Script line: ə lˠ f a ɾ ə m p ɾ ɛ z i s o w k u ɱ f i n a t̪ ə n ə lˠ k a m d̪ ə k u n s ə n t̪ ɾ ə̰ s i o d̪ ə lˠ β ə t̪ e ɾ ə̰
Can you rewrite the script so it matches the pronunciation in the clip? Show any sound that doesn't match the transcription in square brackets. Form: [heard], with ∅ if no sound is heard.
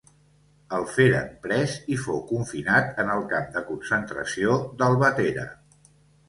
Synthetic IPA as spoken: ə lˠ f [e] ɾ ə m p ɾ ɛ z i [f] o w k u ɱ f i n a t̪ ə n ə lˠ k a m d̪ ə k u n s ə n t̪ ɾ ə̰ s i o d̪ ə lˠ β ə t̪ e ɾ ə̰